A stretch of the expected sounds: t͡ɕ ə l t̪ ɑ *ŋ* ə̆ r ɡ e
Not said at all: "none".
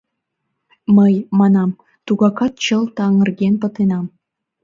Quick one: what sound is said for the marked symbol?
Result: ŋ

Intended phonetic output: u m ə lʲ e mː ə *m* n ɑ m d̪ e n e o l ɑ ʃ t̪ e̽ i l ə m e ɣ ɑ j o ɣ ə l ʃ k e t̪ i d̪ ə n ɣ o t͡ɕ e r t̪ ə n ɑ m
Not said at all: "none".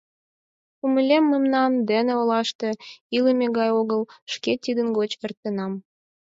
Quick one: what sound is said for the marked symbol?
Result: m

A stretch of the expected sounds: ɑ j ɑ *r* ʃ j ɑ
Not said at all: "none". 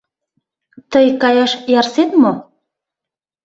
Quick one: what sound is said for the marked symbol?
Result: none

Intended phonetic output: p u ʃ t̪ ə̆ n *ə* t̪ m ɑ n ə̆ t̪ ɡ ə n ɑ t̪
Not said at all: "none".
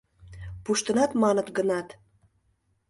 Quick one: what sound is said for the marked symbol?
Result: ɑ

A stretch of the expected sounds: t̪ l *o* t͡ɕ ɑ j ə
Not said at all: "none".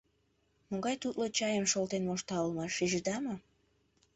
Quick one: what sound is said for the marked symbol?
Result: o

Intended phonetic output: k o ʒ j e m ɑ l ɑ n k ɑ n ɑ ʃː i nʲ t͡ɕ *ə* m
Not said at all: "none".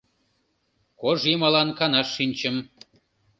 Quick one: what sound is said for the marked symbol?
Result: ə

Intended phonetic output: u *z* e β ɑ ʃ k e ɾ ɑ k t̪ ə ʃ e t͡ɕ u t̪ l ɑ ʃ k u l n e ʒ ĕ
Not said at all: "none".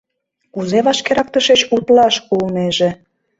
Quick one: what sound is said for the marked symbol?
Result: z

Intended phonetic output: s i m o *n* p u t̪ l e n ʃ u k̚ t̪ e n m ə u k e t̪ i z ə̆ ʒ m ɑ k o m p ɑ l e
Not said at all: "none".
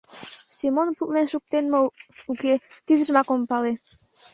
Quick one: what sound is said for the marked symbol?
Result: n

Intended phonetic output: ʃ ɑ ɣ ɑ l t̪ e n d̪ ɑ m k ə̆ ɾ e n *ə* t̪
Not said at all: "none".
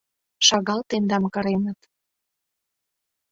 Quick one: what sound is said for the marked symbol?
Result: ə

